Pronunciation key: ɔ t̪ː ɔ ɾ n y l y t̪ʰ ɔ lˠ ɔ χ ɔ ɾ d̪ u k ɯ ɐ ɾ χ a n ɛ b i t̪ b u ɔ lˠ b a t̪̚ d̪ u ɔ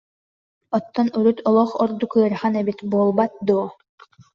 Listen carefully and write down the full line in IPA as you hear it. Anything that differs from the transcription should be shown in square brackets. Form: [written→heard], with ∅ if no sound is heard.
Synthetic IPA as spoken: ɔ t̪ː ɔ [ɾ→∅] n y [l→ɾ] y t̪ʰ ɔ lˠ ɔ χ ɔ ɾ d̪ u k ɯ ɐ ɾ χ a n ɛ b i t̪ b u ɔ lˠ b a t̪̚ d̪ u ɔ